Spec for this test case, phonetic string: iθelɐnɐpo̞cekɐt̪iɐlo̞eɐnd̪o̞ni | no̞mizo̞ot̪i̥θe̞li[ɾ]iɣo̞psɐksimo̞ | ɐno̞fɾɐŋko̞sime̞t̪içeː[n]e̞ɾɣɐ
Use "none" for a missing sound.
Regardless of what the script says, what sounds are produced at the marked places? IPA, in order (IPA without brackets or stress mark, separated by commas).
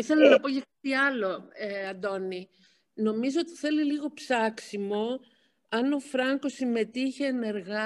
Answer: l, n